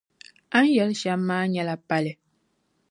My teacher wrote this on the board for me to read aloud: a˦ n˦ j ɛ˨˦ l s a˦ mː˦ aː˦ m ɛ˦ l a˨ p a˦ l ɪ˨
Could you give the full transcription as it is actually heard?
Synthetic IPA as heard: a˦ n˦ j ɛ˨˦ l ʃ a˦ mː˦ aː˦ ɲ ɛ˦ l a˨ p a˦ l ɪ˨